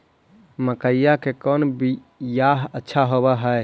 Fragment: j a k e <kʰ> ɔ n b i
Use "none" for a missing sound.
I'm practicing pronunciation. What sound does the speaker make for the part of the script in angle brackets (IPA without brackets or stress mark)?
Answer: k